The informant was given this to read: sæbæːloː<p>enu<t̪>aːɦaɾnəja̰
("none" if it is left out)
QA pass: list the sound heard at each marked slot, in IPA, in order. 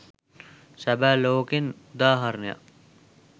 k, d̪

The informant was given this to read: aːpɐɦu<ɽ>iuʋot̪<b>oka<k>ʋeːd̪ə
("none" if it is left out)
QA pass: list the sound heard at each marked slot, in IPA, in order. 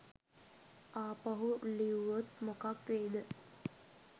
l, m, k

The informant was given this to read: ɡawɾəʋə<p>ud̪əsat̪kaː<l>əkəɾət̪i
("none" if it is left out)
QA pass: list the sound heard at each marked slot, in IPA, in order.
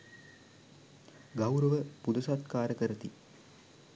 p, ɾ

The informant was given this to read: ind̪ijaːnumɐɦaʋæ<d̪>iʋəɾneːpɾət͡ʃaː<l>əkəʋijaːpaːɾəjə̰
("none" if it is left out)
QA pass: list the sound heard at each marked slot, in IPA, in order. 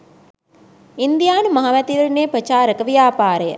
t̪, ɾ

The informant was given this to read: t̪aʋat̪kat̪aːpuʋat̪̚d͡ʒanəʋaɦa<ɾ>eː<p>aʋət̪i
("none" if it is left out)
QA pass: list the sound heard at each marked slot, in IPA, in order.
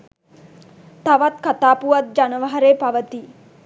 ɾ, p

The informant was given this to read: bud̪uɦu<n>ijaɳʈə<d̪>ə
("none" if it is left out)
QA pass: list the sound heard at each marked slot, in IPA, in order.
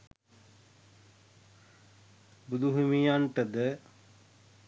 m, d̪

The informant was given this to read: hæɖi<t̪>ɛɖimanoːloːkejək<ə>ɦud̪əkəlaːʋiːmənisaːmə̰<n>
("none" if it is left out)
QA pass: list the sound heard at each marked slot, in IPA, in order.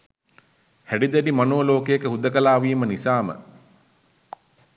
d̪, ə, none

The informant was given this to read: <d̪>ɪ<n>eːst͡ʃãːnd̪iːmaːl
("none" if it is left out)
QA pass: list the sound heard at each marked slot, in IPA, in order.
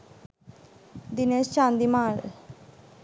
d̪, n

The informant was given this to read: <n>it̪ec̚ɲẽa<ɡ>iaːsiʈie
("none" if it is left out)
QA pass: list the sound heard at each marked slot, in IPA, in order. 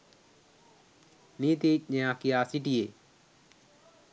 n, k

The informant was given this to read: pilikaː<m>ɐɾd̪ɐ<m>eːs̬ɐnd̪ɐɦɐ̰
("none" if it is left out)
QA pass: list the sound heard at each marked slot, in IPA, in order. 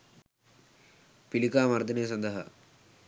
m, n

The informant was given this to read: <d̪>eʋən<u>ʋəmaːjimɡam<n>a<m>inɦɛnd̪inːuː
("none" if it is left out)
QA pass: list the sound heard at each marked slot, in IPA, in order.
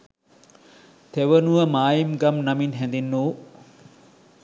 t̪, u, n, m

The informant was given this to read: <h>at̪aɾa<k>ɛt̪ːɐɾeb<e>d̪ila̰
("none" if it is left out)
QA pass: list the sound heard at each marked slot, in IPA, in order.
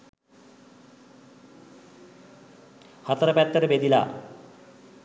h, p, e

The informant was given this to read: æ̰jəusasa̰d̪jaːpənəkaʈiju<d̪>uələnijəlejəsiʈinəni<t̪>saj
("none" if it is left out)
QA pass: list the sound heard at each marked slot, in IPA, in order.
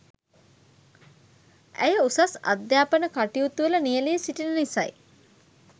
t̪, none

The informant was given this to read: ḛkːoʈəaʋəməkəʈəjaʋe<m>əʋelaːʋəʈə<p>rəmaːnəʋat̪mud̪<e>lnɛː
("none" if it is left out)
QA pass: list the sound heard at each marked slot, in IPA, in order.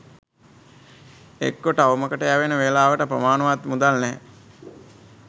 n, p, a

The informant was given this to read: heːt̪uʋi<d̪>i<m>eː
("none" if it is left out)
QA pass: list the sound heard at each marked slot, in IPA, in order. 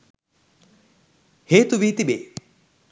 t̪, b

